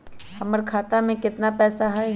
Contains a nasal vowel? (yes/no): yes